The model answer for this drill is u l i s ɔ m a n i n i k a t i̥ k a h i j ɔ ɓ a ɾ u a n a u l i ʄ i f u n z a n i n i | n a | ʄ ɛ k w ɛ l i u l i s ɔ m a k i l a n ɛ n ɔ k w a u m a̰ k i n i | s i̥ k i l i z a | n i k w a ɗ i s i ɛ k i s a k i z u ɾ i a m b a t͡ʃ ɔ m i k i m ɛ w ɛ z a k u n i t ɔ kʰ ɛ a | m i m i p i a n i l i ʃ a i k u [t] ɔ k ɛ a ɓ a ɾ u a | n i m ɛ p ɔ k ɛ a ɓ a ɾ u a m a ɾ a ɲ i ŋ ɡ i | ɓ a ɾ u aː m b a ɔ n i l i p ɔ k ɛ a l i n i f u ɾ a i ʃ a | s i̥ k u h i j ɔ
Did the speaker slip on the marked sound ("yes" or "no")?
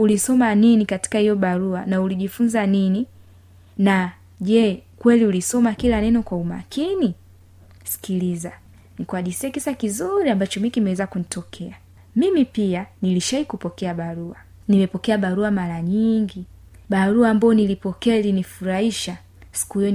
yes